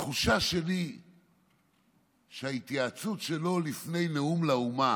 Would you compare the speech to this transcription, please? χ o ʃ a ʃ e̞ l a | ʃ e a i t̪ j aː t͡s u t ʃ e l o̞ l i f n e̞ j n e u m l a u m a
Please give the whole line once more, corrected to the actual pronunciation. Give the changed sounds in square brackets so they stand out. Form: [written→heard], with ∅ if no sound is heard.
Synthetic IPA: χ [o→u] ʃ a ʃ e̞ l [a→i] | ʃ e a i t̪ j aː t͡s u t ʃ e l o̞ l i f n e̞ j n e u m l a u m a